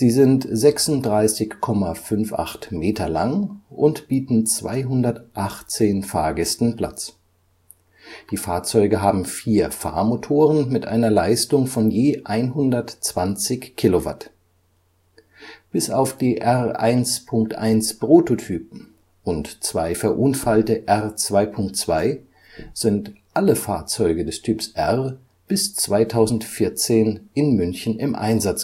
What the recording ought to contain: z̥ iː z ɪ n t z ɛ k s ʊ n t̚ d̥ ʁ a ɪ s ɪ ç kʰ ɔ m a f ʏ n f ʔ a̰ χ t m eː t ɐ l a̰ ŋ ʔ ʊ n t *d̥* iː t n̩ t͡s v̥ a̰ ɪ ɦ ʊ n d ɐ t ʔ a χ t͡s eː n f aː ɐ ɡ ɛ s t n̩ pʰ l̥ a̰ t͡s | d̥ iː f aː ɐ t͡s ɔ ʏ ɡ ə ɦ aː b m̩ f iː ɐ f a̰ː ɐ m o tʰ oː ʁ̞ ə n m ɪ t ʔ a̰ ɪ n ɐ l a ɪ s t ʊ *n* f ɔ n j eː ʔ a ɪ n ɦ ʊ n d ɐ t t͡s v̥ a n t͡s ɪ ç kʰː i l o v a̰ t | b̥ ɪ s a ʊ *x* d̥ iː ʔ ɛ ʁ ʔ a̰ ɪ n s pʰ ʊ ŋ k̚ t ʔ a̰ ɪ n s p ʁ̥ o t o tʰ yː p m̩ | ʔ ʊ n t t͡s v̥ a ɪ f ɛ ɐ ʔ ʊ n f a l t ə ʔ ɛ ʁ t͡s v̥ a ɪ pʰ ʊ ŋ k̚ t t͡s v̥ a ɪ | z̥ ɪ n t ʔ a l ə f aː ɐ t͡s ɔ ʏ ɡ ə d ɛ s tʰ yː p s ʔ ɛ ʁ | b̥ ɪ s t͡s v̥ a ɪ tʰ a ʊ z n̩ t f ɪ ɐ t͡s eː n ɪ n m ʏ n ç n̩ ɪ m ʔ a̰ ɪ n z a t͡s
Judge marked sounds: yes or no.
no, no, no

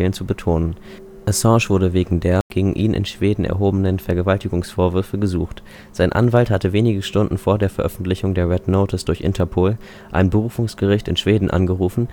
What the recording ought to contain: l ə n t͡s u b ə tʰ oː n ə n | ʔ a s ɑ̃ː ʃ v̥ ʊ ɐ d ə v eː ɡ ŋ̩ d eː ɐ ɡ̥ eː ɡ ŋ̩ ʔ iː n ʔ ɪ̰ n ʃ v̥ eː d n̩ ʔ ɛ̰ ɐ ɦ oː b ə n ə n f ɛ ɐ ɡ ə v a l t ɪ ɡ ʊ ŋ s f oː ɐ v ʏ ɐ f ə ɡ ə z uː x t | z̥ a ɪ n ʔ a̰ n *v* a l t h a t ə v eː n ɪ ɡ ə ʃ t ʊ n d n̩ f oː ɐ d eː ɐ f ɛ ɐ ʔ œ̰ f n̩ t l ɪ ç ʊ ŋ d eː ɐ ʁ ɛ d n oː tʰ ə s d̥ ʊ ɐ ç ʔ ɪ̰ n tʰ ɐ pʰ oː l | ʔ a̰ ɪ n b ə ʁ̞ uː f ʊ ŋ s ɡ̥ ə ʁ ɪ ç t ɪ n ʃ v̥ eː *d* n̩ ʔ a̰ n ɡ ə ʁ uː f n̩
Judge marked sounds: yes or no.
yes, yes

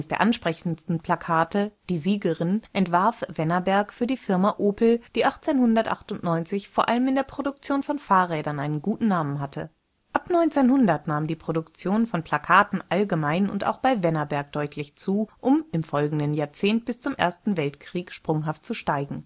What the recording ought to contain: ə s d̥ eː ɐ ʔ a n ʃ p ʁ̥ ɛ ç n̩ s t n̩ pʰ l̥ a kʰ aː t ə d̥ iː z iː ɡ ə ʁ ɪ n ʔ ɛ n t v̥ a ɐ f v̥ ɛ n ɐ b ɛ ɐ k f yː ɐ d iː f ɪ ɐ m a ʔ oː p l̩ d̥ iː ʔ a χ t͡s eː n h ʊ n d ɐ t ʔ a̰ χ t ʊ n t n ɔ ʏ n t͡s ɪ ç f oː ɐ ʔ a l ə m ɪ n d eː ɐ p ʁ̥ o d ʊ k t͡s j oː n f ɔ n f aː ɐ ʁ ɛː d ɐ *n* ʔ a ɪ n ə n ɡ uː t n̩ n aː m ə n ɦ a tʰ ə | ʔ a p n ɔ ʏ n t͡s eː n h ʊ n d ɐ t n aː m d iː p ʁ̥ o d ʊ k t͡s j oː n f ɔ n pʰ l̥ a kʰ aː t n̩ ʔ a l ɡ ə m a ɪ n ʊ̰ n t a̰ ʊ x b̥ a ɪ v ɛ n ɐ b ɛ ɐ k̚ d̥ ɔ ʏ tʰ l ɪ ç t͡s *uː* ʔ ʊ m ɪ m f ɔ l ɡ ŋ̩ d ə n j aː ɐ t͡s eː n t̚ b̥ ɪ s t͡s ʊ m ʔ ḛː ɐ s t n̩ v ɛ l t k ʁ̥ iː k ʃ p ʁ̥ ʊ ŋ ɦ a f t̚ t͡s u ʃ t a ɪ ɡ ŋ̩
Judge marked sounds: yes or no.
yes, yes

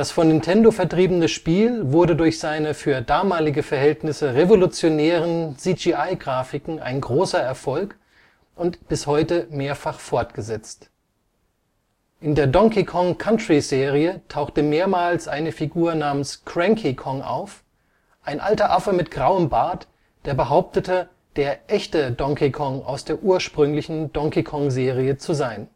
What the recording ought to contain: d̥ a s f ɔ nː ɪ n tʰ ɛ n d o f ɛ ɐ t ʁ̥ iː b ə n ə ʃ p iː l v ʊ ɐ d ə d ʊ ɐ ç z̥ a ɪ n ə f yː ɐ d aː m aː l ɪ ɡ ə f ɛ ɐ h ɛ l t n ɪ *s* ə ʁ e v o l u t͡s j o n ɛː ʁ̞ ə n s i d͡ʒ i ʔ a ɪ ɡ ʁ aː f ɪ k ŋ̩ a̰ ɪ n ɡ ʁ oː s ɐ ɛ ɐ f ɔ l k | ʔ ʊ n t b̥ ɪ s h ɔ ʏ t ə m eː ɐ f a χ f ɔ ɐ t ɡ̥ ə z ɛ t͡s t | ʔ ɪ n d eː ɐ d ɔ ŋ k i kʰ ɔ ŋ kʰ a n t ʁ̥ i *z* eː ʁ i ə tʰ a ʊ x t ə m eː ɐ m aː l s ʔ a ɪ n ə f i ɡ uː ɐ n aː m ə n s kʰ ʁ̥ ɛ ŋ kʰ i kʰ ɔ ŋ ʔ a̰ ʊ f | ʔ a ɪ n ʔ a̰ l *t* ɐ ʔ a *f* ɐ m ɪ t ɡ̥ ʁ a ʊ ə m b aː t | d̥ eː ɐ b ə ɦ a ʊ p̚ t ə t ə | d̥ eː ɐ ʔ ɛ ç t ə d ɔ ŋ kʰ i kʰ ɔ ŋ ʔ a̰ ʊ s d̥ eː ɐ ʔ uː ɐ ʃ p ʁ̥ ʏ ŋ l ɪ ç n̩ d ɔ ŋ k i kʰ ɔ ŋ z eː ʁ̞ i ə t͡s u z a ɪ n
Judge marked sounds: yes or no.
yes, yes, yes, yes

